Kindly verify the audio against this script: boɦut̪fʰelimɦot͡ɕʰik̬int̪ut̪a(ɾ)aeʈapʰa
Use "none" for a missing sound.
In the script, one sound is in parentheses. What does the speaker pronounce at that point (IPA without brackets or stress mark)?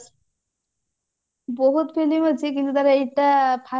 ɾ